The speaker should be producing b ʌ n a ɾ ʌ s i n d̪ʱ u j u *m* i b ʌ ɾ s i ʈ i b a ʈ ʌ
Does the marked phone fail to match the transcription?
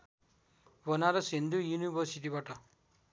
yes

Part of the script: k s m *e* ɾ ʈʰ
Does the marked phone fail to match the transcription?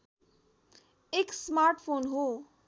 yes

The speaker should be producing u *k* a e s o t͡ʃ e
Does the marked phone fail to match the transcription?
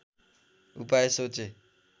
yes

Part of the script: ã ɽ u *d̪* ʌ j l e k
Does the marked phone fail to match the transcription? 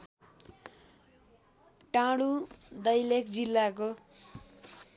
no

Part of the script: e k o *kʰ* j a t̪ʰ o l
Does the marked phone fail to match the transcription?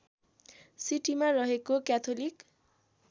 yes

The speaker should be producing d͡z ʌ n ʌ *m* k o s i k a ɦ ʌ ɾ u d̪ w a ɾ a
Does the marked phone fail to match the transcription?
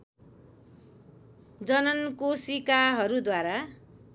yes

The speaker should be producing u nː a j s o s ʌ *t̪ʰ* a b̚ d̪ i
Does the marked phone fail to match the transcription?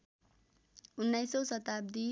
yes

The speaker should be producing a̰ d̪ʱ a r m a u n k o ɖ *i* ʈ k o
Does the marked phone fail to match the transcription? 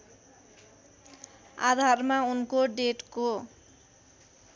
yes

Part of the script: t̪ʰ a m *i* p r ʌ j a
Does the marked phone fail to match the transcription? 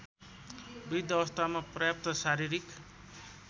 yes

